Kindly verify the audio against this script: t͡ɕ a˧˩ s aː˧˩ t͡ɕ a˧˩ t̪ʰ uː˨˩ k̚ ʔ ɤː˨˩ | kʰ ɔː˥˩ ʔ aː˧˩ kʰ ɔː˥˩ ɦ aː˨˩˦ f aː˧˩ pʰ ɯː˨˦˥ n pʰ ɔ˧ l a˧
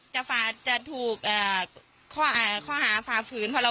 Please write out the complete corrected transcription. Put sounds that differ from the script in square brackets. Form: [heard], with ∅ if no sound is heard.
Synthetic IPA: t͡ɕ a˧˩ [f] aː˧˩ t͡ɕ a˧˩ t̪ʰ uː˨˩ k̚ ʔ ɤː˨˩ | kʰ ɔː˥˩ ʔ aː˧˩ kʰ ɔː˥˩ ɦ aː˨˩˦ f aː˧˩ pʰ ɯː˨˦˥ n pʰ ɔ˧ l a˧